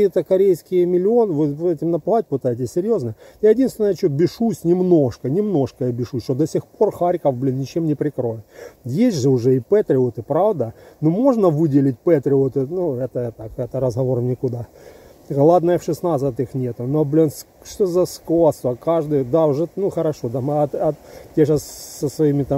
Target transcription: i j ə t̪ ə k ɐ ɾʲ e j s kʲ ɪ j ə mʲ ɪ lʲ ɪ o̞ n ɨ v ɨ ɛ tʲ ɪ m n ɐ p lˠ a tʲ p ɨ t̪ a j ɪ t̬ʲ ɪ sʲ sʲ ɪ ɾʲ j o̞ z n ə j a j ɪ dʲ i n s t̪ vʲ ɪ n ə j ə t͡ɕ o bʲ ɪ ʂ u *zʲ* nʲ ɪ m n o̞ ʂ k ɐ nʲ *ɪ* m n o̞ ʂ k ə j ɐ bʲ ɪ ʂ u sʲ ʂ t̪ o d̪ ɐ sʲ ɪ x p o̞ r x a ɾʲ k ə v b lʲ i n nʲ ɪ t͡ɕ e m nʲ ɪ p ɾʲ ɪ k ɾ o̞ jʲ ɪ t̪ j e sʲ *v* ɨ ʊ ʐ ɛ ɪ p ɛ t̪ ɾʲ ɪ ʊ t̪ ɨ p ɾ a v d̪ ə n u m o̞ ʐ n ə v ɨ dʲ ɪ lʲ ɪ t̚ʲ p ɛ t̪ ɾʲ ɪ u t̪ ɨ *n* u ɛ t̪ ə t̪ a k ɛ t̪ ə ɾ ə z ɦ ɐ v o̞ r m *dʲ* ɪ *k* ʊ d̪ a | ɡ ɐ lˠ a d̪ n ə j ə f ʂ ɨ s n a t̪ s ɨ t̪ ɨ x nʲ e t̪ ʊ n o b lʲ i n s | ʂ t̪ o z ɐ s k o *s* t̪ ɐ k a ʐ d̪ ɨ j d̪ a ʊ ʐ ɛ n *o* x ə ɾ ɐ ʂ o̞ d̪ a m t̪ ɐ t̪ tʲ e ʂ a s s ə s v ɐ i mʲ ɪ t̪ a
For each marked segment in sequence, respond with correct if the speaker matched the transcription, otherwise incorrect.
incorrect: sʲ, correct, incorrect: ʐ, correct, incorrect: nʲ, correct, correct, incorrect: u

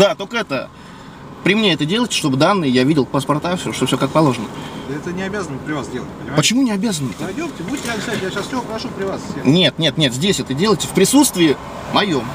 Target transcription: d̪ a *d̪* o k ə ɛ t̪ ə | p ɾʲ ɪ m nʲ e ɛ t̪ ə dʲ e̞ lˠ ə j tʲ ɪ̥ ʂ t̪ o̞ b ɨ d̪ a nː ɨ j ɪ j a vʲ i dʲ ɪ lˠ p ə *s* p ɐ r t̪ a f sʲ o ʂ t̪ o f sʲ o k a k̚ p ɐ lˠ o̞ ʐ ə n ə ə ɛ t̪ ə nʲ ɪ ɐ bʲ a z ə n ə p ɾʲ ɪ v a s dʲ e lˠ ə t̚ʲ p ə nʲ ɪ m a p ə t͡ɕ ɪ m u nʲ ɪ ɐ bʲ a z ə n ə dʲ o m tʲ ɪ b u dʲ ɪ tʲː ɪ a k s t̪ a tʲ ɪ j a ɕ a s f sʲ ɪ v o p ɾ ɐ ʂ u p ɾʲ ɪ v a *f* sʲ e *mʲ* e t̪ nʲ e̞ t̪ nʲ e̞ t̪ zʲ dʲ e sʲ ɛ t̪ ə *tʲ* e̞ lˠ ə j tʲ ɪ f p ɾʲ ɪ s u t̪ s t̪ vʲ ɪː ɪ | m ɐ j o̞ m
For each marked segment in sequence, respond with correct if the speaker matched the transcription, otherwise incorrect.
incorrect: t̪, correct, incorrect: s, incorrect: nʲ, incorrect: dʲ

